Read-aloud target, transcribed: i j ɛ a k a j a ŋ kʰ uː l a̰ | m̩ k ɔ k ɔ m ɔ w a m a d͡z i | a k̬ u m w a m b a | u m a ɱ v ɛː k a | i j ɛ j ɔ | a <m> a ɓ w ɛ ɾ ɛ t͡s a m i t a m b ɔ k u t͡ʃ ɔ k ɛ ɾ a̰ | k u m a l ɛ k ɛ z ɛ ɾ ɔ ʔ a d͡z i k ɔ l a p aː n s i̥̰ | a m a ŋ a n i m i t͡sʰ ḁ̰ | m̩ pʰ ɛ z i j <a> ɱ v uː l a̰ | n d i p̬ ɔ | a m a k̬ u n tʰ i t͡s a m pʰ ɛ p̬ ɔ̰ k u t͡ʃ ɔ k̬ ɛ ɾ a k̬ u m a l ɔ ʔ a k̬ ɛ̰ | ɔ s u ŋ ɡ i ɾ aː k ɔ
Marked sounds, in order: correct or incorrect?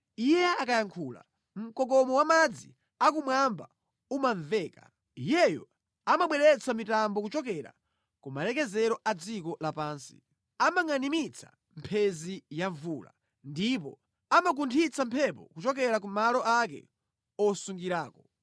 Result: correct, correct

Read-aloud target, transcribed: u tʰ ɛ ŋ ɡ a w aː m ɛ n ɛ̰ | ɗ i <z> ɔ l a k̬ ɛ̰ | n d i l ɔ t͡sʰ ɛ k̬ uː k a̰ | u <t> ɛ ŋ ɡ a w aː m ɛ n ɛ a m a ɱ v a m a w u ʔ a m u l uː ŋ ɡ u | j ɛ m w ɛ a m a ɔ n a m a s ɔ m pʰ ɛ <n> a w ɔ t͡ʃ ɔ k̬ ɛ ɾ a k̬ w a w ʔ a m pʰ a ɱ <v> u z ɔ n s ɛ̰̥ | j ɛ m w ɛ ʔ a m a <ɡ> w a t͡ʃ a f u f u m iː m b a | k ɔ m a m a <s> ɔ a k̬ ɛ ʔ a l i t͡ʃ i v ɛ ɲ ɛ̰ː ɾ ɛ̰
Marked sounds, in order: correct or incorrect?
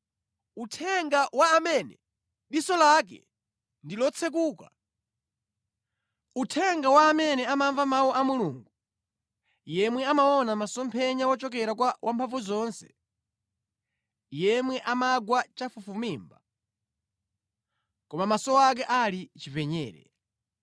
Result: incorrect, incorrect, incorrect, correct, correct, correct

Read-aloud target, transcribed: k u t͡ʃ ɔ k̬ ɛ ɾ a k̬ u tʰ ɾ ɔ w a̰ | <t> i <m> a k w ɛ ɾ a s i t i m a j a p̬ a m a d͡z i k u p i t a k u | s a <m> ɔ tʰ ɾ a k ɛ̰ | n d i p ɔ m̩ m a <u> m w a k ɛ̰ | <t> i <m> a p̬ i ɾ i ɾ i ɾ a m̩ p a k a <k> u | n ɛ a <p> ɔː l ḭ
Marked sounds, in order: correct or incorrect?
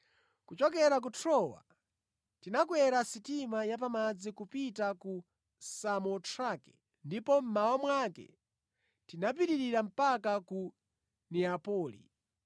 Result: correct, incorrect, correct, incorrect, correct, incorrect, correct, correct

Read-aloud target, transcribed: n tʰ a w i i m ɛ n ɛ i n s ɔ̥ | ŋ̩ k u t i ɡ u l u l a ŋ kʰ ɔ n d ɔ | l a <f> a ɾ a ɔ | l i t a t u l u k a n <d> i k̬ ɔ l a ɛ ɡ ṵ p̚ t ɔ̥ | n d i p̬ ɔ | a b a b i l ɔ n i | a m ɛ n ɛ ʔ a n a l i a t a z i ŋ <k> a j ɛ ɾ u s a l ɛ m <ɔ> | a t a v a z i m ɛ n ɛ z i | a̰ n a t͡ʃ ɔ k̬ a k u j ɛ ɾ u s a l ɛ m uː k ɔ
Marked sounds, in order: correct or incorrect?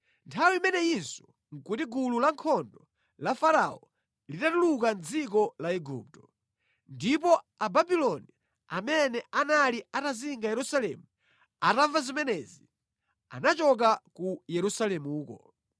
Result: correct, incorrect, incorrect, incorrect

